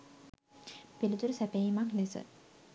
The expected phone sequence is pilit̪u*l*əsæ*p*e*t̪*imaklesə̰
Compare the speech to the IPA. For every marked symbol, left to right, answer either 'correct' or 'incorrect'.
incorrect: ɾ, correct, incorrect: none

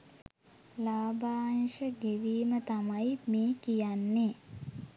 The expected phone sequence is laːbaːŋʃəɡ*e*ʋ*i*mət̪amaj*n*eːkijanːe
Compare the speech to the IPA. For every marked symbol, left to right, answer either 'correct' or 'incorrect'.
correct, incorrect: iː, incorrect: m

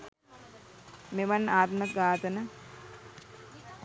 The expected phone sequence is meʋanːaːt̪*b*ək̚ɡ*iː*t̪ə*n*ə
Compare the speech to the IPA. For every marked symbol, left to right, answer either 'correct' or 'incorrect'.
incorrect: m, incorrect: aː, correct

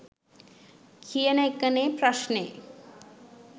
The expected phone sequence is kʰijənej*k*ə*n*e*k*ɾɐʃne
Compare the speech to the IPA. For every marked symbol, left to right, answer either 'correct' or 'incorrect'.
correct, correct, incorrect: p

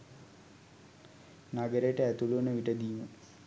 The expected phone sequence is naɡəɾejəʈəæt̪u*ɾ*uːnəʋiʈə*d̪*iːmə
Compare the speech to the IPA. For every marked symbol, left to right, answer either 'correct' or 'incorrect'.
incorrect: l, correct

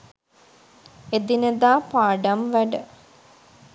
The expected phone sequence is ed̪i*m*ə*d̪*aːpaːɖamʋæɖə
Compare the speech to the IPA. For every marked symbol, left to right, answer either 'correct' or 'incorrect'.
incorrect: n, correct

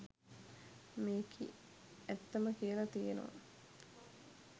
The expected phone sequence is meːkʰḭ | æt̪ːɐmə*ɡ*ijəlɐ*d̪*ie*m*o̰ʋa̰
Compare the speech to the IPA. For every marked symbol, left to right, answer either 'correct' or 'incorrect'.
incorrect: k, incorrect: t̪, incorrect: n

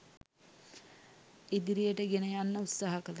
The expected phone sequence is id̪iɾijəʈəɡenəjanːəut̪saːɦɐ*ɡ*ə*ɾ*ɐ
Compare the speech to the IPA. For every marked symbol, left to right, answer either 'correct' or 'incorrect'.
incorrect: k, incorrect: l

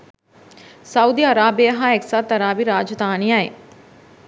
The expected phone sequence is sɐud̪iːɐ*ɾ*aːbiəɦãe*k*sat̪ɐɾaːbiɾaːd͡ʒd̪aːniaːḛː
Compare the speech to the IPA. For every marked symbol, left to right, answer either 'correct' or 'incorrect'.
correct, correct

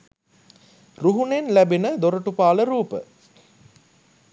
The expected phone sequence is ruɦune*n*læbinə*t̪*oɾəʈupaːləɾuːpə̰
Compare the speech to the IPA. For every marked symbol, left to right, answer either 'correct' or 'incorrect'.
correct, incorrect: d̪

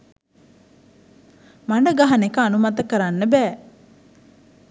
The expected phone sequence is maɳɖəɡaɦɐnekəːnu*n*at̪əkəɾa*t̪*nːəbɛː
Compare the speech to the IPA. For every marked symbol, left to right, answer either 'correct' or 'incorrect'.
incorrect: m, incorrect: none

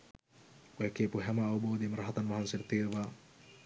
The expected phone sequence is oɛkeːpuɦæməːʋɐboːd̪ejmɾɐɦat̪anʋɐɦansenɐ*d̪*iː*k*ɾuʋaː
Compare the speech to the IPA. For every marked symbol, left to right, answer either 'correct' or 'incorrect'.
incorrect: t̪, incorrect: none

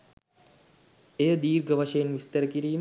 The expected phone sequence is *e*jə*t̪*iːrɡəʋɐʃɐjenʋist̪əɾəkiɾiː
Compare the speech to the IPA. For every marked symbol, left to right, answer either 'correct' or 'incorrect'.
correct, incorrect: d̪

